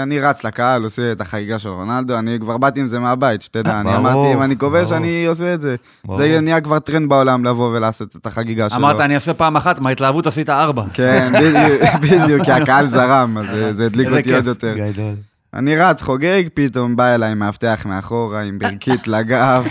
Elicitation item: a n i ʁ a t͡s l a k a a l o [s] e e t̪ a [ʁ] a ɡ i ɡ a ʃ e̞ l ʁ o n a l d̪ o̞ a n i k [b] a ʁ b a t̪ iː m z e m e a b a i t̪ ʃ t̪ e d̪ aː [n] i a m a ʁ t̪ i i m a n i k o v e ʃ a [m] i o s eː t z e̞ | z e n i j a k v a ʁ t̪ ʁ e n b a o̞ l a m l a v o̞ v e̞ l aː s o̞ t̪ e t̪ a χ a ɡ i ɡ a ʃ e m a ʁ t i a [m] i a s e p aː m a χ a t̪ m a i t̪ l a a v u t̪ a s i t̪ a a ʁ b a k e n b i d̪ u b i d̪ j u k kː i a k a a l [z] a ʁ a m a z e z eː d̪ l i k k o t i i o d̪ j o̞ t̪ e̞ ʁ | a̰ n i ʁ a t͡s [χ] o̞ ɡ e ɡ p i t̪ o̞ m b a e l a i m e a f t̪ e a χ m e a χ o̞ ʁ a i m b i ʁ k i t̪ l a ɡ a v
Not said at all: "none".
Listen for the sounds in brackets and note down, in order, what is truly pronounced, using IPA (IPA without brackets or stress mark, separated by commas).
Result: s, χ, v, n, n, n, z, χ